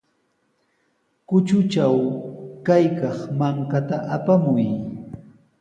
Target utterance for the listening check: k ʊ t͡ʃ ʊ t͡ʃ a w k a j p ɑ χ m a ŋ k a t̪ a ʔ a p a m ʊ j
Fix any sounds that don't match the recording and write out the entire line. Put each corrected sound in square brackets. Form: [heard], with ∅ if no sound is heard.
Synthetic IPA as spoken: k ʊ t͡ʃ ʊ t͡ʃ a w k a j [k] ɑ χ m a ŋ k a t̪ a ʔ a p a m ʊ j